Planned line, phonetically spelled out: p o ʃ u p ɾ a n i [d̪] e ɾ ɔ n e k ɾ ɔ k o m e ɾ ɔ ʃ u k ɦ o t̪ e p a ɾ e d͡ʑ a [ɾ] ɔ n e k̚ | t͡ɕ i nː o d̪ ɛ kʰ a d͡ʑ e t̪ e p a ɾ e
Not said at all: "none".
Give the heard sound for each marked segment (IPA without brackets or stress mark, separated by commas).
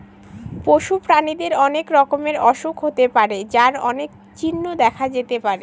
d̪, ɾ